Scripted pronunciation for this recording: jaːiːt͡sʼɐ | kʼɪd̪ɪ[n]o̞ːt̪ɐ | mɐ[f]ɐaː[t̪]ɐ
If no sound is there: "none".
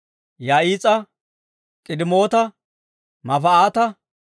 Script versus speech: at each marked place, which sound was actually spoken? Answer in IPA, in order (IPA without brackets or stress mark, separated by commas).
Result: m, f, t̪